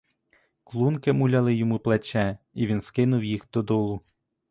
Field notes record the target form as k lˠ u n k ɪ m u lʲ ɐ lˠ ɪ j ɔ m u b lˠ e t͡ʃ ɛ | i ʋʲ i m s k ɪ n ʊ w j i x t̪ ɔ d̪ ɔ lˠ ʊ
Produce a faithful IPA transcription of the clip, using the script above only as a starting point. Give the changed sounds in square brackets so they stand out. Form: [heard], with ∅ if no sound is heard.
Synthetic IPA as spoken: k lˠ u n k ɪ m u lʲ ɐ lˠ ɪ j ɔ m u [p] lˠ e t͡ʃ ɛ | i ʋʲ i [n] s k ɪ n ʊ w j i x [d̪] ɔ d̪ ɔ lˠ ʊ